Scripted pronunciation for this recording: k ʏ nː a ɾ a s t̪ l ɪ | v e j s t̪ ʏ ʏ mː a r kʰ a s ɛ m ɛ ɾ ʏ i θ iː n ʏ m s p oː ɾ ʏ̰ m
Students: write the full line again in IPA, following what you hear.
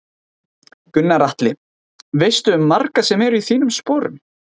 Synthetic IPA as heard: k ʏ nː a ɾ a h t̪ l ɪ | v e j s t̪ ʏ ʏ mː a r k a s ɛ m ɛ ɾ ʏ i θ iː n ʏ m s p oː ɾ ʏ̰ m